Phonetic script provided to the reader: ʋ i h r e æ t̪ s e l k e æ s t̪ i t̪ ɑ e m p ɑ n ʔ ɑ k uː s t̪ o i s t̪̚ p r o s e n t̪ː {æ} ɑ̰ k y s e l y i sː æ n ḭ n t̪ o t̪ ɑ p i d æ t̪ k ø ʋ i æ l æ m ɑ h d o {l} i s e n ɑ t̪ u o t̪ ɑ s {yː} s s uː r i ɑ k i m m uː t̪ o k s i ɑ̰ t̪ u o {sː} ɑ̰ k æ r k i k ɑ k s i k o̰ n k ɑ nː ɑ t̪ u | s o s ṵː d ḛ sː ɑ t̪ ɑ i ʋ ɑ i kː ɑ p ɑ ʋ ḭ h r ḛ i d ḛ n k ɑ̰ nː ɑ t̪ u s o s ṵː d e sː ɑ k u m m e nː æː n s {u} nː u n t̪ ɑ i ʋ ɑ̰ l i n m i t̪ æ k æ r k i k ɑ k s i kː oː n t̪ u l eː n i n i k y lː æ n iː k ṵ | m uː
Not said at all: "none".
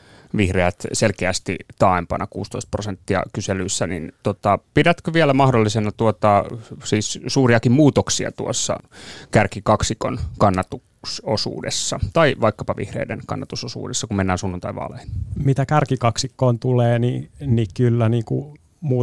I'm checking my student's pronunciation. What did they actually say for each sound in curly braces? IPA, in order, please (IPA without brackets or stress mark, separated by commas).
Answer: i, lː, iː, sː, u